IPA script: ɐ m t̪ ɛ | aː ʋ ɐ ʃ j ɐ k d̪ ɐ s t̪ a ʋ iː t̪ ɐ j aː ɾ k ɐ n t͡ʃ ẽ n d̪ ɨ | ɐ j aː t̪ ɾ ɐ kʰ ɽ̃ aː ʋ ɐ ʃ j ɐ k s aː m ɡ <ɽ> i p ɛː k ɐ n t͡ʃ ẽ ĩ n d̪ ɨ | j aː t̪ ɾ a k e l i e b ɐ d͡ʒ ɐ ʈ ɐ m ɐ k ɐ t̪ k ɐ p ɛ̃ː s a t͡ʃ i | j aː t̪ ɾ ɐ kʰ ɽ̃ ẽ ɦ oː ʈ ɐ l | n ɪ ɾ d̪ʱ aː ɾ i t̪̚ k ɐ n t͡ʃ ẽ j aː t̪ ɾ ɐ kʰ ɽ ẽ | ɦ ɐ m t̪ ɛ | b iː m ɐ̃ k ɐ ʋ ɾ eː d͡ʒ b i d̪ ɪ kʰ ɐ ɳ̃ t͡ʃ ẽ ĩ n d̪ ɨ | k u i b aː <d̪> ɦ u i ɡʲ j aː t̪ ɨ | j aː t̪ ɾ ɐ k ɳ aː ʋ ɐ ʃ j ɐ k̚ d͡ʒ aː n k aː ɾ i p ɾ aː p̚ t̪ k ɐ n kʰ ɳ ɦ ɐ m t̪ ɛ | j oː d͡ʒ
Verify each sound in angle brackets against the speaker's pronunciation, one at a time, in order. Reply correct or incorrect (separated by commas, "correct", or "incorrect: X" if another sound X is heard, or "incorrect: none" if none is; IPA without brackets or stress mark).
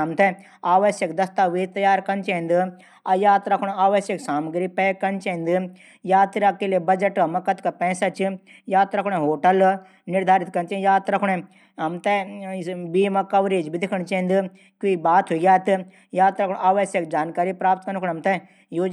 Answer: incorrect: ɾ, incorrect: t̪